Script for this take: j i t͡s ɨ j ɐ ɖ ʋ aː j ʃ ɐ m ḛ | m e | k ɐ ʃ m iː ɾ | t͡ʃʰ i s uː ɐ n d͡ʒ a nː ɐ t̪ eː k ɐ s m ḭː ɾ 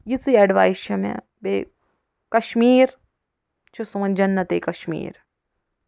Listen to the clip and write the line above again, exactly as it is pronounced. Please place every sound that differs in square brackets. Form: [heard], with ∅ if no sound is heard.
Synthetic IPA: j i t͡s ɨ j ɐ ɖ ʋ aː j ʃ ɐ m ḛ | [b] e | k ɐ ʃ m iː ɾ | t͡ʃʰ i s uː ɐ n d͡ʒ [ɐ] nː ɐ t̪ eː k ɐ [ʃ] m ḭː ɾ